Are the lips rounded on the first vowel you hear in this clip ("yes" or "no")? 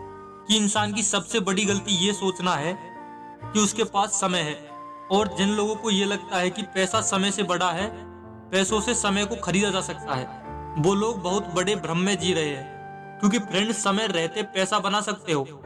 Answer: no